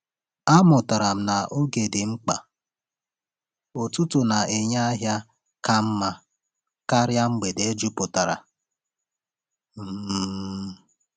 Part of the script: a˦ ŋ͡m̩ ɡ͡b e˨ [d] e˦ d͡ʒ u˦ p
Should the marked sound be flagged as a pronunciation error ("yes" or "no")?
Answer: no